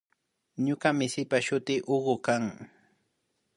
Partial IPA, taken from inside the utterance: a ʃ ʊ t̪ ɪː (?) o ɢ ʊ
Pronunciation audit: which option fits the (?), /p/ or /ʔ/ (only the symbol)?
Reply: ʔ